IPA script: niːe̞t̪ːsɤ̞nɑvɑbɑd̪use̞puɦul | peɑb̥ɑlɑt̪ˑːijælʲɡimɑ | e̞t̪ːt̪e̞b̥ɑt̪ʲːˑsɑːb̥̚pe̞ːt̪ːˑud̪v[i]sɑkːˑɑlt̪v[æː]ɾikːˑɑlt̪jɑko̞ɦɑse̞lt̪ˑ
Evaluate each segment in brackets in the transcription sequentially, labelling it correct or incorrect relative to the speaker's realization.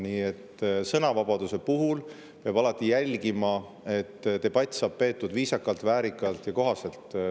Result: incorrect: iː, correct

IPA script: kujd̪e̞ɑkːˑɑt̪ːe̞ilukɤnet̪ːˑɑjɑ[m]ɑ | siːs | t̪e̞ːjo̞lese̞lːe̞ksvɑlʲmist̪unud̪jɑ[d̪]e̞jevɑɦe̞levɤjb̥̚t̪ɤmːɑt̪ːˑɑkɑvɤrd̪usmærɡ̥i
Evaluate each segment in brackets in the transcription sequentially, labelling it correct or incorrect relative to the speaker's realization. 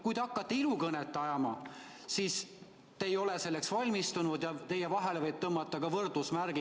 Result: correct, incorrect: t̪

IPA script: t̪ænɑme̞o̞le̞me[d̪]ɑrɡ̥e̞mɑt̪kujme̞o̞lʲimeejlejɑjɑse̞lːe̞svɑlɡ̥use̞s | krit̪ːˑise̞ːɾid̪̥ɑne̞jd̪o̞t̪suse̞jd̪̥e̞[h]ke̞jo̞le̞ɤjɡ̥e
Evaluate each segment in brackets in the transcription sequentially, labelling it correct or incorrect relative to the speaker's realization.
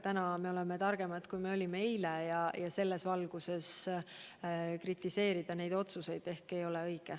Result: incorrect: t̪, correct

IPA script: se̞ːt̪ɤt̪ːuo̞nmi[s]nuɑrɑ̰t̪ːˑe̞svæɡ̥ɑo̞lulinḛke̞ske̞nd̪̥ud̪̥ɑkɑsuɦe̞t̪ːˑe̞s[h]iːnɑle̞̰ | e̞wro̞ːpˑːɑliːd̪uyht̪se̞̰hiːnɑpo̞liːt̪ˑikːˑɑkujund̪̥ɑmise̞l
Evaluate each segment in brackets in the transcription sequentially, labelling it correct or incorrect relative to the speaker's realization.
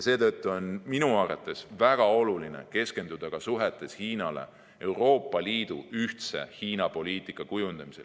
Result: incorrect: none, correct

